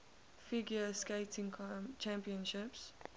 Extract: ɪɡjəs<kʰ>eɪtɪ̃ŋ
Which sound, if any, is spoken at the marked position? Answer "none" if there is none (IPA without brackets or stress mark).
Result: k